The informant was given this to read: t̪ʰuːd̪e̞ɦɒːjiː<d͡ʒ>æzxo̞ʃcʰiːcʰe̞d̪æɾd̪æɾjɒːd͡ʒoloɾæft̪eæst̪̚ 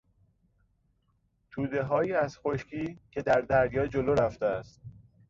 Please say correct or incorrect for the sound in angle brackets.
incorrect